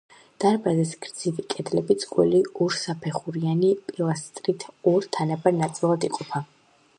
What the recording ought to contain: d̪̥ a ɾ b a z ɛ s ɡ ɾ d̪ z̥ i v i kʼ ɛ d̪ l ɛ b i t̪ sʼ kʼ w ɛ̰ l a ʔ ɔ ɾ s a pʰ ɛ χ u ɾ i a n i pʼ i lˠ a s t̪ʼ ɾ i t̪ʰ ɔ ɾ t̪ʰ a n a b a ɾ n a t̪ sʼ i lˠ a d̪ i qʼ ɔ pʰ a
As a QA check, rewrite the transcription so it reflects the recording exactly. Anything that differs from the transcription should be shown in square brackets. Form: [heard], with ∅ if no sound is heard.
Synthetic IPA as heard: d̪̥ a ɾ b a z ɛ s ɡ ɾ d̪ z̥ i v i kʼ ɛ d̪ l ɛ b i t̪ sʼ kʼ w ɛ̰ l [i] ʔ ɔ ɾ s a pʰ ɛ χ u ɾ i a n i pʼ i lˠ a s t̪ʼ ɾ i t̪ʰ ɔ ɾ t̪ʰ a n a b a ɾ n a t̪ sʼ i lˠ a d̪ i qʼ ɔ pʰ a